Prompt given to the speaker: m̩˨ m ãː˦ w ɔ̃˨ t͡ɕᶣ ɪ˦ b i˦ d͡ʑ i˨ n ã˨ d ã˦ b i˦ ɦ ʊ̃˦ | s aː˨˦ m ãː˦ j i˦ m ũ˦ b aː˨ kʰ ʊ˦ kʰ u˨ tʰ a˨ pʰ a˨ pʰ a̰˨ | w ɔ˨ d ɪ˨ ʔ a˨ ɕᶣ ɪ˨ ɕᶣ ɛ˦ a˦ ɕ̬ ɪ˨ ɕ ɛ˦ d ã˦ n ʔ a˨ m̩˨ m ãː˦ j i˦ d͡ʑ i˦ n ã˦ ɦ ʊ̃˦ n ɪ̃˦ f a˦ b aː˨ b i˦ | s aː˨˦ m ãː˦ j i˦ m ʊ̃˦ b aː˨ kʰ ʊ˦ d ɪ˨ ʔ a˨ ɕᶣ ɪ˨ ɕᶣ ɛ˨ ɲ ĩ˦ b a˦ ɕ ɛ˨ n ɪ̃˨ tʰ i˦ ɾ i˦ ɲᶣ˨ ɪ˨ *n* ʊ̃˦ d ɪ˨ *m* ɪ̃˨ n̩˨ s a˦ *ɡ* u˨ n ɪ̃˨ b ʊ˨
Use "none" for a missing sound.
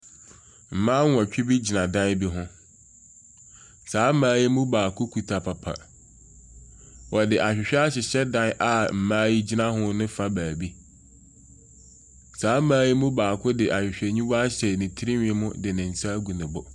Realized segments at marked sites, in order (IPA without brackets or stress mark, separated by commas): m, n, ɡ